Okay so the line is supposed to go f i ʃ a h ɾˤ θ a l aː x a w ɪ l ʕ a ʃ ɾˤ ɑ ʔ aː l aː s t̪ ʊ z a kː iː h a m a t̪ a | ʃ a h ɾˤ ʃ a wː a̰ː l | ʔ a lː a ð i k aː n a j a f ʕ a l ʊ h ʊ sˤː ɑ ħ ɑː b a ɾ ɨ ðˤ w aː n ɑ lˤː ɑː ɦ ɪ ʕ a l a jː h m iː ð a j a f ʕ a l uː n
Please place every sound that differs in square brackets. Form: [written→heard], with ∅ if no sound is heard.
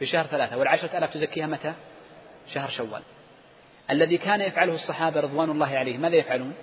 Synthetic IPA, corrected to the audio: f i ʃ a h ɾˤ θ a l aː [x→θ] a w ɪ l ʕ a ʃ ɾˤ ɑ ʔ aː l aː [s→f] t̪ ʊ z a kː iː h a m a t̪ a | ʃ a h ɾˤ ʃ a wː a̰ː l | ʔ a lː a ð i k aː n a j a f ʕ a l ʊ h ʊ sˤː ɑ ħ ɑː b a ɾ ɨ ðˤ w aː n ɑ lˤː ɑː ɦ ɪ ʕ a l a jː h m [iː→aː] ð a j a f ʕ a l uː n